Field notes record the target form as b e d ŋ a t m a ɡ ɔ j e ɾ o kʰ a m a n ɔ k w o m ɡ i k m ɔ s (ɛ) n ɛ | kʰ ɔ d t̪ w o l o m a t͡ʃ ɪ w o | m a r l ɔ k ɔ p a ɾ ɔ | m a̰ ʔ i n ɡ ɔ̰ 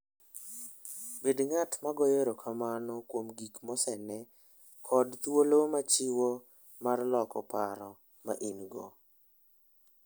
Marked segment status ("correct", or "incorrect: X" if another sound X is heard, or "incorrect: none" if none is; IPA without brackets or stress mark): correct